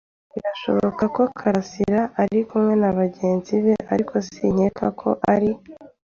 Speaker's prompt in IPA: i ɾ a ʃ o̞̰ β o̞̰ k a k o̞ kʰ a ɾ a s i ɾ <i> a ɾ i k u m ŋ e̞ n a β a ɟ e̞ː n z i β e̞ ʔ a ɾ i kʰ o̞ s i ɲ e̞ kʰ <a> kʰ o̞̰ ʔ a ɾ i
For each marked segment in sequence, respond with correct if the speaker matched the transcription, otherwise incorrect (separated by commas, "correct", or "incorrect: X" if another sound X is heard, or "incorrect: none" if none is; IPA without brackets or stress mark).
incorrect: a, correct